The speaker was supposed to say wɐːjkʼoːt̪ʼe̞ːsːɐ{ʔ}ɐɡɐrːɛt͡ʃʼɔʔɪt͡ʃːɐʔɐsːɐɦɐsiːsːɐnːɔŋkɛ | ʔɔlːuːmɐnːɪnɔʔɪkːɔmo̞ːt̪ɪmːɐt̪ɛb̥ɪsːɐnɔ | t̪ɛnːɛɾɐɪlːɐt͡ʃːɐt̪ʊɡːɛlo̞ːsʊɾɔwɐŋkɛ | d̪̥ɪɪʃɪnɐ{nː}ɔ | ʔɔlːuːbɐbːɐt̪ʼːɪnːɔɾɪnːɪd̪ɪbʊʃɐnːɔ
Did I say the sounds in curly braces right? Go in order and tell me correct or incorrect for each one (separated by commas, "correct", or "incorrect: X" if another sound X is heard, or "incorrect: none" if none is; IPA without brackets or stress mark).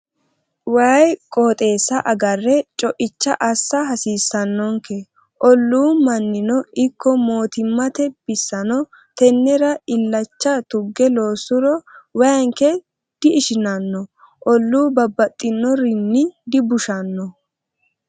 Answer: correct, correct